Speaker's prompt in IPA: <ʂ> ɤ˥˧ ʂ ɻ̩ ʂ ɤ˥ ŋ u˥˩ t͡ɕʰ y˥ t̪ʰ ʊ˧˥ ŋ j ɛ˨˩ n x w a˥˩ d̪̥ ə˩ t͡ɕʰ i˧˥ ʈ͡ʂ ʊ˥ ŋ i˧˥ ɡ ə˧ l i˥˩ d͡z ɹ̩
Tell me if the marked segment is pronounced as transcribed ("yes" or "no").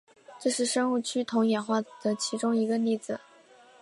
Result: no